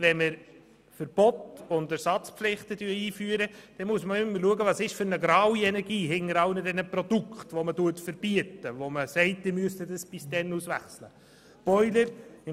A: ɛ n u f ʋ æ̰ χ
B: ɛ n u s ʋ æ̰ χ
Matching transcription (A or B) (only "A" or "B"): B